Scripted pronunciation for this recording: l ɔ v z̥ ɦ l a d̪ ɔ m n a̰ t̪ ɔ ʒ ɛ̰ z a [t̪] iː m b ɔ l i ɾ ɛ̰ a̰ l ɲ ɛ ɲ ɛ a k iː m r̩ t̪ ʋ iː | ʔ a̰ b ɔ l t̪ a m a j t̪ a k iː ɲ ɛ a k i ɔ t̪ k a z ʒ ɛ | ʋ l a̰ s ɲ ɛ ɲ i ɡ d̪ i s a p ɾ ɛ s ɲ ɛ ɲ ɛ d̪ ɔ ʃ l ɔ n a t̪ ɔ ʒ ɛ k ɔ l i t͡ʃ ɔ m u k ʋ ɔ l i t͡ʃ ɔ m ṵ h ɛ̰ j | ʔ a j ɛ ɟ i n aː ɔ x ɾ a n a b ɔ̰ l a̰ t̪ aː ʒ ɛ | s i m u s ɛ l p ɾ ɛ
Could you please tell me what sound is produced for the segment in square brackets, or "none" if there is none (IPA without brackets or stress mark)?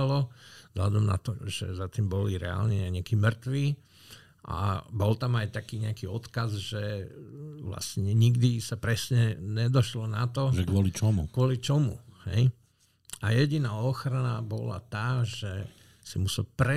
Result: t̪